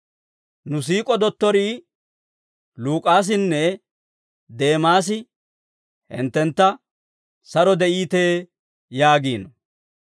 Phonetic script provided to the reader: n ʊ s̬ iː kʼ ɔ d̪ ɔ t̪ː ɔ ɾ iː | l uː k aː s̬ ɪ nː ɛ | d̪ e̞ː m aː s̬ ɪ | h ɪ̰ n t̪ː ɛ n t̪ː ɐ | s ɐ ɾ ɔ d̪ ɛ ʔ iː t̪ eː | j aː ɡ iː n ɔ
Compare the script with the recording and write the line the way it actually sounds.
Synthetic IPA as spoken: n ʊ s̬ iː kʼ ɔ d̪ ɔ t̪ː ɔ ɾ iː | l uː kʼ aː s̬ ɪ nː ɛ | d̪ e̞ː m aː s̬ ɪ | h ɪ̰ n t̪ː ɛ n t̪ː ɐ | s ɐ ɾ ɔ d̪ ɛ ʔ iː t̪ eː | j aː ɡ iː n ɔ